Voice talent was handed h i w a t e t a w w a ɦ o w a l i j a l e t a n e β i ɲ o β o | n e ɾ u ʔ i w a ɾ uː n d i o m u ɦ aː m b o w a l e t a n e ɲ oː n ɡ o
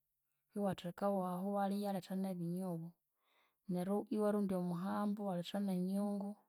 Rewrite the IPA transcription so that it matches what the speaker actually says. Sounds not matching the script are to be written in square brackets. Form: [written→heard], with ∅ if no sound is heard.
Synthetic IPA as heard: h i w a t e [t→k] a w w a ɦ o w a l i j a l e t a n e β i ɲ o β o | n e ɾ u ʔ i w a ɾ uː n d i o m u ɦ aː m b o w a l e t a n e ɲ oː [n→ŋ] ɡ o